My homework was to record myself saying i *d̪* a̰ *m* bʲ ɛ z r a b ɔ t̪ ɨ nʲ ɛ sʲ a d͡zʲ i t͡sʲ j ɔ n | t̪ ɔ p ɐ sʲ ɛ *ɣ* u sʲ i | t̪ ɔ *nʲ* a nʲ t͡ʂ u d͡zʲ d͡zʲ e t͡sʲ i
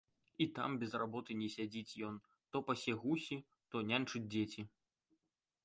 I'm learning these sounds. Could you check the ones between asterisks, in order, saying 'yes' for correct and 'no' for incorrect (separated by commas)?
no, yes, yes, yes